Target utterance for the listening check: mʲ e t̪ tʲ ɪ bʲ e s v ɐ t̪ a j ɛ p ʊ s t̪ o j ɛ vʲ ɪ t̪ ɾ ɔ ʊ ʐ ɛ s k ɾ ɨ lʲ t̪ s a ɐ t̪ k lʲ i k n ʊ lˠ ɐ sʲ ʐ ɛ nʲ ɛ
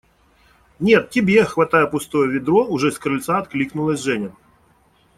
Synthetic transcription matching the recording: nʲ e t̪ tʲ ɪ bʲ e x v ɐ t̪ a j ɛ p ʊ s t̪ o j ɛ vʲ ɪ d̪ ɾ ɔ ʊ ʐ ɛ s k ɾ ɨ lʲ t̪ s a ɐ t̪ k lʲ i k n ʊ lˠ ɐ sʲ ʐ ɛ nʲ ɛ